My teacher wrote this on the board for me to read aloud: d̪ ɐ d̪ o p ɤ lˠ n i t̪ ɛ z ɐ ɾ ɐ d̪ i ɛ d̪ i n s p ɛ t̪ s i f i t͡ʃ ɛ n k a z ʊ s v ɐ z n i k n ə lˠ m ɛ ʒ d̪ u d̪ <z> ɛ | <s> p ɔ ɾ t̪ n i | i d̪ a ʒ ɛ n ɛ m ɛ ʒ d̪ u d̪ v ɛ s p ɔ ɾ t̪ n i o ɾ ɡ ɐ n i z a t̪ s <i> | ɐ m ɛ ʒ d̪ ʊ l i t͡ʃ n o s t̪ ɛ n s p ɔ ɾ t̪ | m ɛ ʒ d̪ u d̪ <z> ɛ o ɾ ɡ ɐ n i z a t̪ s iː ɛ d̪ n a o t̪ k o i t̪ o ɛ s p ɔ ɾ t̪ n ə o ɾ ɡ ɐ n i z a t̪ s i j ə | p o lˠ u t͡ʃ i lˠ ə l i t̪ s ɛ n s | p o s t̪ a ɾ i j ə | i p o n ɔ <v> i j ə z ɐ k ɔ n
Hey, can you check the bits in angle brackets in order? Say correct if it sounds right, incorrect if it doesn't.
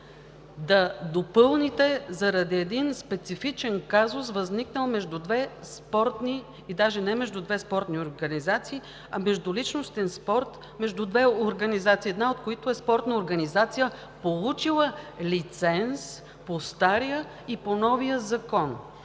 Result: incorrect: v, correct, incorrect: iː, incorrect: v, correct

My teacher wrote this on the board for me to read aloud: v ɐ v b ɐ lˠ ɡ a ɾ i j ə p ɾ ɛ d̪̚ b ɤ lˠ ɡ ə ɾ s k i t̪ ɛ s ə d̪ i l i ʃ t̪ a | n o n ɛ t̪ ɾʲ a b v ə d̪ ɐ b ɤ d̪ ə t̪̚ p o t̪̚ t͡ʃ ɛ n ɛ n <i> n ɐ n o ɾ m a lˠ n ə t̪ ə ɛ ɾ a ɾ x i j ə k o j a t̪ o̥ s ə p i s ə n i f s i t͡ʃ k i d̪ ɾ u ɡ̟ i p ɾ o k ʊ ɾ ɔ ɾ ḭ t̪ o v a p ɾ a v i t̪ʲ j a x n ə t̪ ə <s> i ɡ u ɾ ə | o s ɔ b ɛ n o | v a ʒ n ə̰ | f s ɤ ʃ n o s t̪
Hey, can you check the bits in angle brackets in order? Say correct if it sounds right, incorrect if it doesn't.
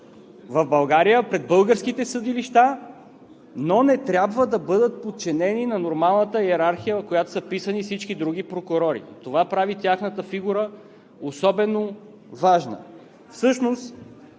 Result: correct, incorrect: f

